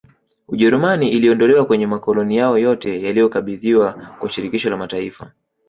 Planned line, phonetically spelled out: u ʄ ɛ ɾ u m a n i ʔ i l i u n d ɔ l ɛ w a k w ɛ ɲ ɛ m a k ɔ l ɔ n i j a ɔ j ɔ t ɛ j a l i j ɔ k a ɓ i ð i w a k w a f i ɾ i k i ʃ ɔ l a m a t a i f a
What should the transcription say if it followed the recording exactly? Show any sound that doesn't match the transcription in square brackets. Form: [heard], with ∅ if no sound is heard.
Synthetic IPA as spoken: u ʄ ɛ ɾ u m a n i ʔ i l i [ɔ] n d ɔ l ɛ w a k w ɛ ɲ ɛ m a k ɔ l ɔ n i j a ɔ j ɔ t ɛ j a l i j ɔ k a ɓ i ð i w a k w a [ʃ] i ɾ i k i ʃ ɔ l a m a t a i f a